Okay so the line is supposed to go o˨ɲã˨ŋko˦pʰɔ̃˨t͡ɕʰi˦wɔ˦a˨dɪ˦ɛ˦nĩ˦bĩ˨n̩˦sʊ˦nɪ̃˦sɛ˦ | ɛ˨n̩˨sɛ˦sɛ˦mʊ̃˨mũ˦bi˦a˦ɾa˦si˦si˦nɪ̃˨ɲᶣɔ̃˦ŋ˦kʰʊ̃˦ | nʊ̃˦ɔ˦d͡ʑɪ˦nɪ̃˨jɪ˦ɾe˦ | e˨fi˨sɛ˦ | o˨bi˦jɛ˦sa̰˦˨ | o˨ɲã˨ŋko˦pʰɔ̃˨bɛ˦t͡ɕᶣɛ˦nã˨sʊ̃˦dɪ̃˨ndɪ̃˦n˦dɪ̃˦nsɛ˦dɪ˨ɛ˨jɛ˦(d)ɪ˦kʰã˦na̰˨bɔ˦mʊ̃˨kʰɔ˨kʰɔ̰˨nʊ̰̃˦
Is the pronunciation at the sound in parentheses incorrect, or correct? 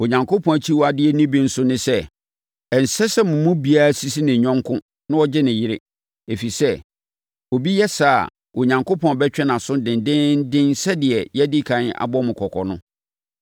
correct